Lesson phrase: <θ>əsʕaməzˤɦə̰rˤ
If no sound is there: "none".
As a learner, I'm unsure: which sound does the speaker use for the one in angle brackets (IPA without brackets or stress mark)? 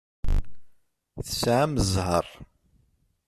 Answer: θ